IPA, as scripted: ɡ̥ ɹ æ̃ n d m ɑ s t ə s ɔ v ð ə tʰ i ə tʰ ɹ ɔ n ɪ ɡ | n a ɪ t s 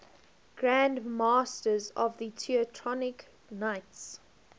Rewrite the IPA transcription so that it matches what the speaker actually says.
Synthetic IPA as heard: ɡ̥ ɹ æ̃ n d m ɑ s t ə z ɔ v ð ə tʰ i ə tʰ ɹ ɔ n ɪ k | n a ɪ t s